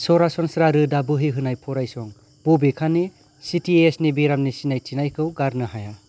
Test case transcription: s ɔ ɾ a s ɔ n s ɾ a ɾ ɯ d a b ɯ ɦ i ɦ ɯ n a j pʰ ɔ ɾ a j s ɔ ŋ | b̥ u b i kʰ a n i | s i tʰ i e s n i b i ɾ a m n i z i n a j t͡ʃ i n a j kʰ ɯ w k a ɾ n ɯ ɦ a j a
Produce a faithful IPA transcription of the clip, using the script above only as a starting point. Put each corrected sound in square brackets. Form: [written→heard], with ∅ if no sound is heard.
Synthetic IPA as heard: s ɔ ɾ a s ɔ n s ɾ a ɾ ɯ d a b ɯ ɦ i ɦ ɯ n a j pʰ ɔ ɾ a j s ɔ ŋ | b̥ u b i kʰ a n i | s i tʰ i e s n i b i ɾ a m n i [z→s] i n a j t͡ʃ i n a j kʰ ɯ w [k→ɡ] a ɾ n ɯ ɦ a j a